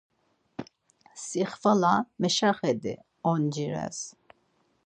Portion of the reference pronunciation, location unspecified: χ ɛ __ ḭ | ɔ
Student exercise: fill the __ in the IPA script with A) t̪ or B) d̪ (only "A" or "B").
B